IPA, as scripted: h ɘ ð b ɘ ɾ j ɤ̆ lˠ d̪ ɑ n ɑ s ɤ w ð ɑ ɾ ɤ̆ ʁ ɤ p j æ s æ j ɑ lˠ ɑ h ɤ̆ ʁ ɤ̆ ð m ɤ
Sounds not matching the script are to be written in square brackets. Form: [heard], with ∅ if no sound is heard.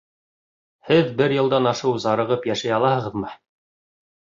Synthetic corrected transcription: h ɘ ð b ɘ ɾ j ɤ̆ lˠ d̪ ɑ n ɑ [ʃ] ɤ w [z] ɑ ɾ ɤ̆ ʁ ɤ p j æ [ʃ] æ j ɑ lˠ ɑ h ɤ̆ ʁ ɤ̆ ð m ɤ